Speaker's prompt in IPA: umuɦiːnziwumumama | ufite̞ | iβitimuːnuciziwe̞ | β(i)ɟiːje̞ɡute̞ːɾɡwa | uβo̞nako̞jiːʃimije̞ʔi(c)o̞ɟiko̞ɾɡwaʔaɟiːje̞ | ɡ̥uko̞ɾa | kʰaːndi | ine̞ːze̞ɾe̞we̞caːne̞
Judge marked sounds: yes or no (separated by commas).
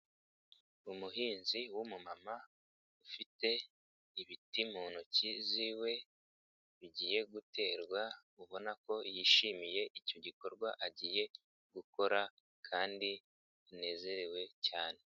yes, yes